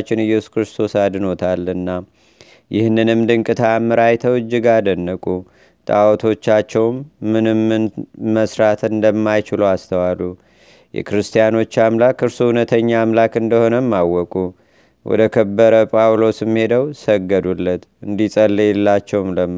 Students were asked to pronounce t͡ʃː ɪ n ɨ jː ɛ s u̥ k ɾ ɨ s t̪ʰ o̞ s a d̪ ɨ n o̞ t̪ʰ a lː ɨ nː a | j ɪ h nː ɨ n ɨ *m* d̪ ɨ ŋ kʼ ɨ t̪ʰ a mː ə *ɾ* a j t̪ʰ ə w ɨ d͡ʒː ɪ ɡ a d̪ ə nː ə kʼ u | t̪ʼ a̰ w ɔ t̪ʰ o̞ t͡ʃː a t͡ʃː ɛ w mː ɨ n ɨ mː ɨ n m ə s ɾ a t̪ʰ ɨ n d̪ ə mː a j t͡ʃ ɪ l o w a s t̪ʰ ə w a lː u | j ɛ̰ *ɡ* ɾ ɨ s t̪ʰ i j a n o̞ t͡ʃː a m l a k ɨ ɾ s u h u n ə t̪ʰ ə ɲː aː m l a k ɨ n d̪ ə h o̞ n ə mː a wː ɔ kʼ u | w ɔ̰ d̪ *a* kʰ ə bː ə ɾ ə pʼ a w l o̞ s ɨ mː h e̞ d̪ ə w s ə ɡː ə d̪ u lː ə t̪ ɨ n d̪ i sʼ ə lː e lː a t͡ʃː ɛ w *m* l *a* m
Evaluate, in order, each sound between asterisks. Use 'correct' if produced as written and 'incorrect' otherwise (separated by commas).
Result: correct, correct, incorrect, incorrect, correct, incorrect